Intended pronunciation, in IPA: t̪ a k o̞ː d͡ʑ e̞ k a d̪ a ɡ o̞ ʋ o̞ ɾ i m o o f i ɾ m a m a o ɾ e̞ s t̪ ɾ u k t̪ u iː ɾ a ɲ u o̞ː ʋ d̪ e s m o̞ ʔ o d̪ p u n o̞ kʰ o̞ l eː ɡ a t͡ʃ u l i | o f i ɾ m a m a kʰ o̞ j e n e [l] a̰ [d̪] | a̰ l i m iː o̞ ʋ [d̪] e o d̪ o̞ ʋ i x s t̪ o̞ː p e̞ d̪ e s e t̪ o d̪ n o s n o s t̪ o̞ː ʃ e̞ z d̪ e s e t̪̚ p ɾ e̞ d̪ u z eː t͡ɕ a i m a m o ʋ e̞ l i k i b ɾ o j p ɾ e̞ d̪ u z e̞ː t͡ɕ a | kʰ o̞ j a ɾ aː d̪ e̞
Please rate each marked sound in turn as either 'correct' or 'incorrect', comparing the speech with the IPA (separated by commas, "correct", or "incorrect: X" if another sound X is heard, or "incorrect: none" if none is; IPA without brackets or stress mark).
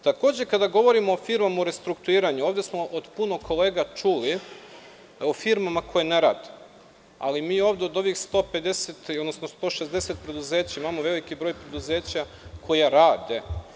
incorrect: ɾ, correct, correct